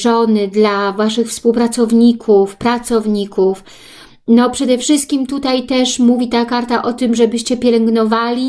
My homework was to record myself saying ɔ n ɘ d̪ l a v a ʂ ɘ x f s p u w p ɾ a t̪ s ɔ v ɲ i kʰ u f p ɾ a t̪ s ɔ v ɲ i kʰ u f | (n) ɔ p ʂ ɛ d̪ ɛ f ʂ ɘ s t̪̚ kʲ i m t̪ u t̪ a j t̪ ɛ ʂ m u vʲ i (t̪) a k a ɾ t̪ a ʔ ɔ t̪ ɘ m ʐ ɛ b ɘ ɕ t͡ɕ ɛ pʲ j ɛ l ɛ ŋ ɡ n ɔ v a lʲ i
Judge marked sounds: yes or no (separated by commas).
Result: yes, yes